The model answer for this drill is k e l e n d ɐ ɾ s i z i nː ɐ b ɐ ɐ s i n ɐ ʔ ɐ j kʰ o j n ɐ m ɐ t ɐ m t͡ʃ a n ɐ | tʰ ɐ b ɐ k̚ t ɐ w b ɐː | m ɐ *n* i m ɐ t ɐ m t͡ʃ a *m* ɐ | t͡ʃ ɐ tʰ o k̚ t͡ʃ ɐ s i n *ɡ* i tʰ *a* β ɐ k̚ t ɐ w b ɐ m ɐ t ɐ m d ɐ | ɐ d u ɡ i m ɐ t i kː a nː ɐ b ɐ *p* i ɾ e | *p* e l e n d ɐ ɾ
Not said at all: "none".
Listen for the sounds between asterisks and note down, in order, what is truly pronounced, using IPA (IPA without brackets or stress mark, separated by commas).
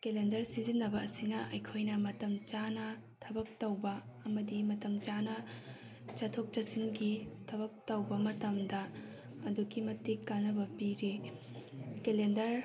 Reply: d, n, ɡ, ɐ, p, k